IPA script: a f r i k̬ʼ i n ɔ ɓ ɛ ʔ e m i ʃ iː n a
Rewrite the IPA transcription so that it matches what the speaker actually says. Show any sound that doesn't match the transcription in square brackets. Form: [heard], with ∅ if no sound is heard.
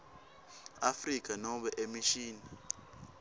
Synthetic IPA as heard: a f r i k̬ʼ [a] n ɔ ɓ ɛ ʔ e m i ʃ iː n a